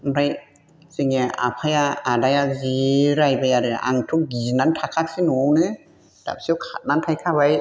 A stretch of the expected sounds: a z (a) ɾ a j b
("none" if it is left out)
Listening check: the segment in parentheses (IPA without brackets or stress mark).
i